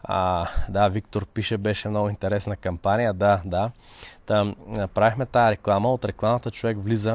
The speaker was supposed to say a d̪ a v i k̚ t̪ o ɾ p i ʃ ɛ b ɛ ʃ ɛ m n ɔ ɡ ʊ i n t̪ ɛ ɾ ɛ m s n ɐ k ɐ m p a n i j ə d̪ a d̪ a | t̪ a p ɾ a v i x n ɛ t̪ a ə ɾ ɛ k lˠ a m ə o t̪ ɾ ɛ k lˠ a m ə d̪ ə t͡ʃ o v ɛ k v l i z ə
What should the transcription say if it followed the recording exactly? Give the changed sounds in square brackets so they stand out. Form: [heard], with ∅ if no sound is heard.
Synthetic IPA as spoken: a d̪ a v i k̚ t̪ o ɾ p i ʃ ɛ b ɛ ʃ ɛ m n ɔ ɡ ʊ i n t̪ ɛ ɾ ɛ [∅] s n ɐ k ɐ m p a n i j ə d̪ a d̪ a | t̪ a p ɾ a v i x [m] ɛ t̪ a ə ɾ ɛ k lˠ a m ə o t̪ ɾ ɛ k lˠ a m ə [t̪] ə t͡ʃ o v ɛ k v l i z ə